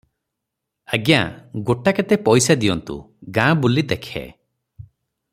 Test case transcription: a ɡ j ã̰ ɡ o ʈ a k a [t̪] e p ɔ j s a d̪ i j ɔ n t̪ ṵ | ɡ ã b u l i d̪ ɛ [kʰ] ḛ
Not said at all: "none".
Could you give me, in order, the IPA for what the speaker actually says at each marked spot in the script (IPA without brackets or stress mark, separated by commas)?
t̪, kʰ